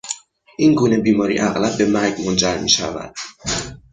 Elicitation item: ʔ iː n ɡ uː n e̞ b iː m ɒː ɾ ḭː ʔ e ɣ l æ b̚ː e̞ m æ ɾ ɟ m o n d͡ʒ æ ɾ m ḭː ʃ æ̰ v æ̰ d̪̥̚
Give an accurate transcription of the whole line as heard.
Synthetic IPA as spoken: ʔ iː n ɡ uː n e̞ b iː m ɒː ɾ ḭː ʔ æ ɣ l æ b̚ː e̞ m æ ɾ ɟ m o n d͡ʒ æ ɾ m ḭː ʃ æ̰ v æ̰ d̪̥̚